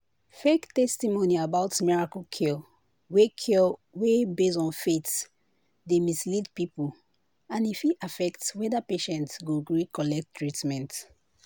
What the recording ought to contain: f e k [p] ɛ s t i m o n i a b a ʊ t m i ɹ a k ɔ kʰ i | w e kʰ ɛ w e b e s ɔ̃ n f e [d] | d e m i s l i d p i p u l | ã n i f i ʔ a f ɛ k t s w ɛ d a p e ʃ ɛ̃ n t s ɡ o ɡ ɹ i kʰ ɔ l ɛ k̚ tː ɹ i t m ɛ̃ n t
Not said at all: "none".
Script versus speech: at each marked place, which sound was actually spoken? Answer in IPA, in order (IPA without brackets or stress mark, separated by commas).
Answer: t, t